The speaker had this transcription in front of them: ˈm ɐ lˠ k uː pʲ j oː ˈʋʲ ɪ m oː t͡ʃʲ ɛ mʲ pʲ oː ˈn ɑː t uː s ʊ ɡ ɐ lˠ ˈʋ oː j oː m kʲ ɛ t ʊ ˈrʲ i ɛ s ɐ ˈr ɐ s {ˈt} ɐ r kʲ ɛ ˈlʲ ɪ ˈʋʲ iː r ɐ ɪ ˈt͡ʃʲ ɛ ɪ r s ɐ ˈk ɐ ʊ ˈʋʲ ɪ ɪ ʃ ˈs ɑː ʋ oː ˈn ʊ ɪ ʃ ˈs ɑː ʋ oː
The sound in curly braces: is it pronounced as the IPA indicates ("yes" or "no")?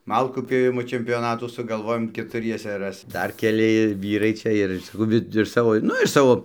no